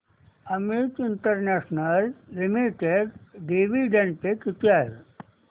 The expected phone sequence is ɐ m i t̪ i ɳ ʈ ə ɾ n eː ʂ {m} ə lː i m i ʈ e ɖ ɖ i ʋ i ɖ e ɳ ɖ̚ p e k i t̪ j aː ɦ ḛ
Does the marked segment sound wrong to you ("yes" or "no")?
yes